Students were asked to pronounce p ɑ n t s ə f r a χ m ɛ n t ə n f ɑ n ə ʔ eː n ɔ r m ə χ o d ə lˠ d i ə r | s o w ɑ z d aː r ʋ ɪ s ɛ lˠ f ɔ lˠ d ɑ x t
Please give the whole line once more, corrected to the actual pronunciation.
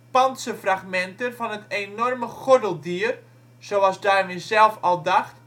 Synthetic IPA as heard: p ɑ n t s ə f r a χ m ɛ n t ə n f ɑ n ə t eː n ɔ r m ə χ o d ə lˠ d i ə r | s o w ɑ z d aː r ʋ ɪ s ɛ lˠ f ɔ lˠ d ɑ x t